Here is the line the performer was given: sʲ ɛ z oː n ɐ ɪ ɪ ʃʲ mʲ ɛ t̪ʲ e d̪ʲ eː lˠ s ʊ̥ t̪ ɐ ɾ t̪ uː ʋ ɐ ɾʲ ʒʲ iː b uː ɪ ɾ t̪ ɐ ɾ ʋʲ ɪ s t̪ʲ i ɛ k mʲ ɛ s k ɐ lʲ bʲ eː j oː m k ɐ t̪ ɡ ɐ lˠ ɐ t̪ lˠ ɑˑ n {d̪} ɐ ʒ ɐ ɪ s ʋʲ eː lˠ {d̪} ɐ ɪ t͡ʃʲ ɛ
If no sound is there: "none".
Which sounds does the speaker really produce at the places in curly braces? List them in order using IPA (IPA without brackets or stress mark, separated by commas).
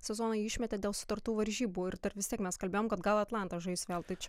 t̪, t̪